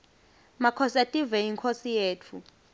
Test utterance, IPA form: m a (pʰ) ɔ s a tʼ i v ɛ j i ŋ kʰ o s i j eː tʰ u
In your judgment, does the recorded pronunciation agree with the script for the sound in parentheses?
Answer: no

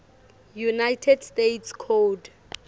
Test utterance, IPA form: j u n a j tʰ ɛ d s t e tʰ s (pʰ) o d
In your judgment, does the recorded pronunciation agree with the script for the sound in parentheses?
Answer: no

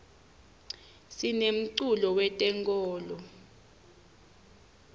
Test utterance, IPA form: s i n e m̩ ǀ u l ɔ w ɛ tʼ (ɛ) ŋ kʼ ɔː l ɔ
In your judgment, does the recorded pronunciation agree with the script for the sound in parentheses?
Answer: yes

